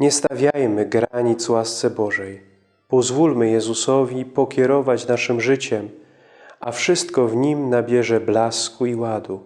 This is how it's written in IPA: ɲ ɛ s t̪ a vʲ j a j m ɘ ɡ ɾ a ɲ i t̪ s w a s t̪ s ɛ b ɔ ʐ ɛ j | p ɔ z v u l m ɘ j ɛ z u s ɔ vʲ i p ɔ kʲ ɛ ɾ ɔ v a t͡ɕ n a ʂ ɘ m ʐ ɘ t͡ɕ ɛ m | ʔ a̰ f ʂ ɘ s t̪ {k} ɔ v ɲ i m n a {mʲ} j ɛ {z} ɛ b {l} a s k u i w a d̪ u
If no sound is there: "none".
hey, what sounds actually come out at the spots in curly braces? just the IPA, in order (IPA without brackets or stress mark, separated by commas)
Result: k, bʲ, ʐ, l